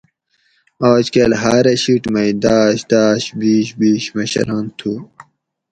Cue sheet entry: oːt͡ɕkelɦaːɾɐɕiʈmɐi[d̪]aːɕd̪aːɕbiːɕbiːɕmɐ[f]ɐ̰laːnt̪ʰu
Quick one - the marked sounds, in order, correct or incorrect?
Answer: correct, incorrect: ɕ

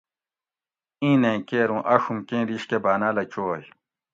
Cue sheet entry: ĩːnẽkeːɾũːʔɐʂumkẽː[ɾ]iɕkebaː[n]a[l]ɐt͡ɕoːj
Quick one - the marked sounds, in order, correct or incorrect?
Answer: correct, correct, correct

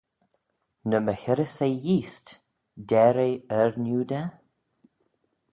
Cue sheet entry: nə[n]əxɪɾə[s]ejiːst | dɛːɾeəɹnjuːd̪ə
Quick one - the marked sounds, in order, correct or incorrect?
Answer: incorrect: m, correct

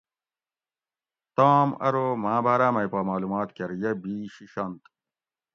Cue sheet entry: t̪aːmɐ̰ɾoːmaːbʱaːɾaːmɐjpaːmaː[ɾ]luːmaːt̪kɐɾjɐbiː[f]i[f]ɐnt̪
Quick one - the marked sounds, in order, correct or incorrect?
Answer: incorrect: none, incorrect: ɕ, incorrect: ɕ

